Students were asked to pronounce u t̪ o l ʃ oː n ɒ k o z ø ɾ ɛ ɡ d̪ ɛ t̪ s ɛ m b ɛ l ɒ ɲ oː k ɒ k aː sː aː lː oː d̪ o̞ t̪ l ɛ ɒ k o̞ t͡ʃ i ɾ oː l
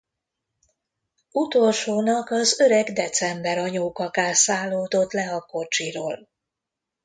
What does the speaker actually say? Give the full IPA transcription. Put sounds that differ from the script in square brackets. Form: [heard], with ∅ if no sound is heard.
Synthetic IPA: u t̪ o l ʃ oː n ɒ k [ɒ] z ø ɾ ɛ ɡ d̪ ɛ t̪ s ɛ m b ɛ [ɾ] ɒ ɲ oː k ɒ k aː [s] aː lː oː d̪ o̞ t̪ l ɛ ɒ k o̞ t͡ʃ i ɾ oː l

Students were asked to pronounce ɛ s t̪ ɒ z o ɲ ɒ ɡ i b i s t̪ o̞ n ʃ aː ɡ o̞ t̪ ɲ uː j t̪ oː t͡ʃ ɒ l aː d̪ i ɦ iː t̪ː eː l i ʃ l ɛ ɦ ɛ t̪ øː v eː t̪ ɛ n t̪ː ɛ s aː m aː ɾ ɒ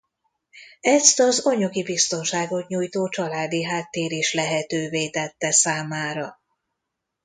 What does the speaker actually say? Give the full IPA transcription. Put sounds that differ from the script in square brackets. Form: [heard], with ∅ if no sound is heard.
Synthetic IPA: ɛ s t̪ ɒ z o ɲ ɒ ɡ i b i s t̪ o̞ n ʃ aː ɡ o̞ t̪ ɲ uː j t̪ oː t͡ʃ ɒ l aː d̪ i ɦ [aː] t̪ː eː [ɾ] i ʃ l ɛ ɦ ɛ t̪ øː v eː t̪ ɛ [∅] t̪ː ɛ s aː m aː ɾ ɒ

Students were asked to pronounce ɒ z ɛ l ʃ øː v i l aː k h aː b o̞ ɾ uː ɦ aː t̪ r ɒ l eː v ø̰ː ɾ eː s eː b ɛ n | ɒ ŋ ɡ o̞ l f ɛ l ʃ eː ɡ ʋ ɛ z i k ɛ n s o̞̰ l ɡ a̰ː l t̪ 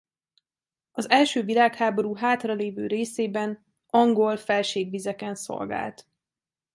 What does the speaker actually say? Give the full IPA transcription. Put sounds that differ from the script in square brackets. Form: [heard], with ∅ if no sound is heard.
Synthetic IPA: ɒ z ɛ l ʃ øː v i l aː k h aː b o̞ ɾ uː ɦ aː t̪ r ɒ l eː v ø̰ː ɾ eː s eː b ɛ n | ɒ ŋ ɡ o̞ l f ɛ l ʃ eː ɡ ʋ [i] z [ɛ] k ɛ n s o̞̰ l ɡ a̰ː l t̪

